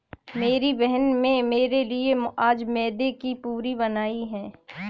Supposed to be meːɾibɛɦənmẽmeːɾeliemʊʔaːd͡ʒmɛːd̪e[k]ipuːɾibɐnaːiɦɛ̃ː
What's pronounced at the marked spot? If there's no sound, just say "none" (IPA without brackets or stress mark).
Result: k